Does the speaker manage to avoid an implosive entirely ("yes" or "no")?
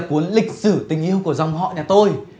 yes